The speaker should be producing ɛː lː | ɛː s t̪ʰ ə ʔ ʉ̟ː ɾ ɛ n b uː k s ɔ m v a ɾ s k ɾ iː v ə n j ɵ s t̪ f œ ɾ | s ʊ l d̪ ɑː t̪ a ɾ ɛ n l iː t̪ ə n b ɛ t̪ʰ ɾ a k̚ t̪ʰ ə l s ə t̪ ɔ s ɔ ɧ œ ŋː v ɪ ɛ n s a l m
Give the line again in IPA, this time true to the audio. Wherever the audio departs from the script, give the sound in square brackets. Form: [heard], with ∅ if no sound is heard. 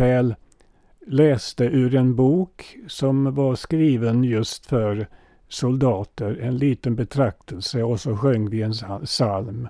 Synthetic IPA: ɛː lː | ɛː s [t̪] ə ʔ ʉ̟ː ɾ ɛ n b uː k s ɔ m v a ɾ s k ɾ iː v ə n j ɵ s t̪ f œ ɾ | s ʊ l d̪ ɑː t̪ [ə] ɾ ɛ n l iː t̪ ə n b ɛ t̪ʰ ɾ a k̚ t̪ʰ ə l s ə [∅] ɔ s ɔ ɧ œ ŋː v ɪ ɛ n s a l m